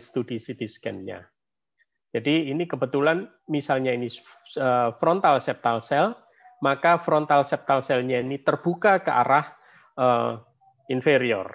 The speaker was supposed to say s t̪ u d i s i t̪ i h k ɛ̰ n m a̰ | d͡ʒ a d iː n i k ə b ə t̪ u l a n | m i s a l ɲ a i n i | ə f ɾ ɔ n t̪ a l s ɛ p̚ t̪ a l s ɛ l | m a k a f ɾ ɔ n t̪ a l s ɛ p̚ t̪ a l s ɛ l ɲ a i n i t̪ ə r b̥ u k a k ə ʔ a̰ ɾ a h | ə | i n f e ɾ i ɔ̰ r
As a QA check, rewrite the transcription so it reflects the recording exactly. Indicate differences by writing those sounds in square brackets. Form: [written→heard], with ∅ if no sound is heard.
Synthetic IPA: s t̪ u d i s i t̪ i [h→s] k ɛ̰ n [m→ɲ] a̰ | d͡ʒ a d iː n i k ə b ə t̪ u l a n | m i s a l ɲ a i n i | ə f ɾ ɔ n t̪ a l s ɛ p̚ t̪ a l s ɛ l | m a k a f ɾ ɔ n t̪ a l s ɛ p̚ t̪ a l s ɛ l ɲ a i n i t̪ ə r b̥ u k a k ə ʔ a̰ ɾ a h | ə | i n f e ɾ i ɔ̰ r